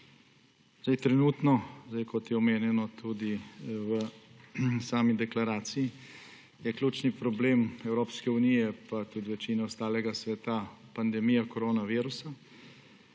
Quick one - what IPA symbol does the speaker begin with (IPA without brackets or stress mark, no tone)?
z